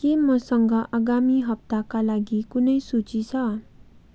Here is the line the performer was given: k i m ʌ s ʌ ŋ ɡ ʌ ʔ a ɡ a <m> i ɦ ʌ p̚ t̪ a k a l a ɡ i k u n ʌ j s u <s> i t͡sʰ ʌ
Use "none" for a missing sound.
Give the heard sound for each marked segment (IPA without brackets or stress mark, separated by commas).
m, t͡s